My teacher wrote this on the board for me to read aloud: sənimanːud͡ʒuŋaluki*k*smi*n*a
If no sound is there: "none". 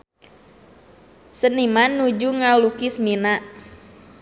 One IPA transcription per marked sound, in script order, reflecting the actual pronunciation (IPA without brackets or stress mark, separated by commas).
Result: none, n